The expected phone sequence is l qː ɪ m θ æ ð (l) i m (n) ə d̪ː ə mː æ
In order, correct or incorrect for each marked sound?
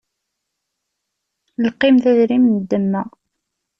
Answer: incorrect: ɾ, correct

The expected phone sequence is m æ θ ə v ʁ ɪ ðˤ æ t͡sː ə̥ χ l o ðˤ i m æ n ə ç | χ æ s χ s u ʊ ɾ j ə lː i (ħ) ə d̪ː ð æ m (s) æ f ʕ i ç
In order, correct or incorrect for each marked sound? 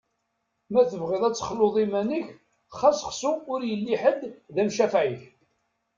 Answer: correct, incorrect: ʃ

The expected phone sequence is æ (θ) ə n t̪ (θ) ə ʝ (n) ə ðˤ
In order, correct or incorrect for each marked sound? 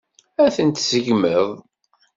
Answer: correct, incorrect: s, incorrect: m

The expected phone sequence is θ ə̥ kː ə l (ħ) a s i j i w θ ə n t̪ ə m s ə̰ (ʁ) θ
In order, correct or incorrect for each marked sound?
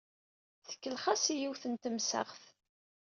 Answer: incorrect: χ, correct

